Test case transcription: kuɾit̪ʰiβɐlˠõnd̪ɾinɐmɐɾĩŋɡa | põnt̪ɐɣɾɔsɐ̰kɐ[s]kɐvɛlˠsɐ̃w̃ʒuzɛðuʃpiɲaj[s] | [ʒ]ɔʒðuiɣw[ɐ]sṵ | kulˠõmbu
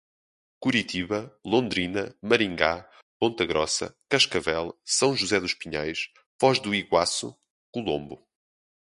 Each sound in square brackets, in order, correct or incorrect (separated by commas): incorrect, incorrect, incorrect, incorrect